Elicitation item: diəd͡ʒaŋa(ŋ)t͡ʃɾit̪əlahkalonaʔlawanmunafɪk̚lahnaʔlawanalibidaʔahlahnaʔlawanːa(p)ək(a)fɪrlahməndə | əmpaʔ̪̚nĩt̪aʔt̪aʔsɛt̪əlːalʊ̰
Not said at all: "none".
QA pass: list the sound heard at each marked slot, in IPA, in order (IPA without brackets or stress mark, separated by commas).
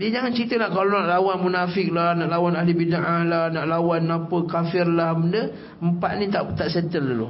n, p, a